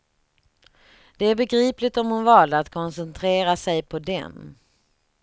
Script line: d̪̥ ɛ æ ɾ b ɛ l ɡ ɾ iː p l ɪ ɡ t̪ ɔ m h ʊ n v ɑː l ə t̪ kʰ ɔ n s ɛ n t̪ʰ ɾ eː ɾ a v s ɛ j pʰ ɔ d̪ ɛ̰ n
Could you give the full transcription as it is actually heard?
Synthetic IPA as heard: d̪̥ ɛ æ ɾ b ɛ ɡ ɾ iː p l ɪ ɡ t̪ ɔ m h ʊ n v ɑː l a t̪ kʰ ɔ n s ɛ n t̪ʰ ɾ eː ɾ a s ɛ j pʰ ɔ d̪ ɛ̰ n